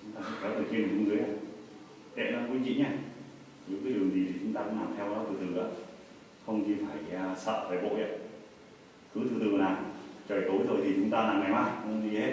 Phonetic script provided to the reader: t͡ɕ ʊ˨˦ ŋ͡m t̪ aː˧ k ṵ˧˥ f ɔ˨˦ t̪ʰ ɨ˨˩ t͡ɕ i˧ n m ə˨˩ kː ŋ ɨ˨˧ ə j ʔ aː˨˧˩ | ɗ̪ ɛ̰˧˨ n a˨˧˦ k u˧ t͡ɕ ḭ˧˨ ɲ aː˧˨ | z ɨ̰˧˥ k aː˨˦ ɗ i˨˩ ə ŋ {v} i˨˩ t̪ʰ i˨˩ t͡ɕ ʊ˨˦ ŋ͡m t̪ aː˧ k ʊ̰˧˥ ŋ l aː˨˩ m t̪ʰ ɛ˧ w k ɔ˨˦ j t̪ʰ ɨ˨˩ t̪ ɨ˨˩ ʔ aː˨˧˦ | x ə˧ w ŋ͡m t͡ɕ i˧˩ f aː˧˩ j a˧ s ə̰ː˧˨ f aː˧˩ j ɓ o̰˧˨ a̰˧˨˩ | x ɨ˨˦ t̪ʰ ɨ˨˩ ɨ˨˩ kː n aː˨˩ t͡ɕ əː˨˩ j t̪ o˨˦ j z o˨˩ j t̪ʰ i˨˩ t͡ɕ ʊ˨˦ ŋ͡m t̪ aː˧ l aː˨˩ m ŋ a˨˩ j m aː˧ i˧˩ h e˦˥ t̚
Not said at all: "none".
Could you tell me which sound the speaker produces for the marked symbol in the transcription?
z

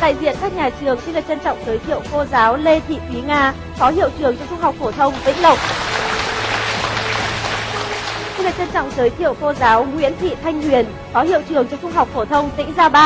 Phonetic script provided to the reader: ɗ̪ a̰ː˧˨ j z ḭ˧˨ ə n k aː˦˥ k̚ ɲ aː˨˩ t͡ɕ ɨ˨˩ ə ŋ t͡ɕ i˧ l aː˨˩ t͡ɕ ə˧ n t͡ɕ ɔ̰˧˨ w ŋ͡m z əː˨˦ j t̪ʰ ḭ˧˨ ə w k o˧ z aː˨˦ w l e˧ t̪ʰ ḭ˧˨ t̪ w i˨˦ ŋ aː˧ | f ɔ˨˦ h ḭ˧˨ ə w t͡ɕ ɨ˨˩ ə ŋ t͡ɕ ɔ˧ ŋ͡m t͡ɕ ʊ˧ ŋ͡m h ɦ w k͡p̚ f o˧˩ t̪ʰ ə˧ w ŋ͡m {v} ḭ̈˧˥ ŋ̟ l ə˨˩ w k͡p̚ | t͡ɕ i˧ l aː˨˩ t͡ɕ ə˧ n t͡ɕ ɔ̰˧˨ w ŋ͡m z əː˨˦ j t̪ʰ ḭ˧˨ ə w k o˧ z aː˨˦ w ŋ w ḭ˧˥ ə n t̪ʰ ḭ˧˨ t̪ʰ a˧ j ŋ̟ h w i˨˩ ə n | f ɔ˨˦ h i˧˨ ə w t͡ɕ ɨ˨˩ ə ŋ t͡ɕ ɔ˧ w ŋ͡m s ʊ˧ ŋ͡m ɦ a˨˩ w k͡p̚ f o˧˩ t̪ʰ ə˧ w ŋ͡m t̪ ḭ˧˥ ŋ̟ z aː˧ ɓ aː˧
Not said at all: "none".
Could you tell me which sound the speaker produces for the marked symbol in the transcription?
v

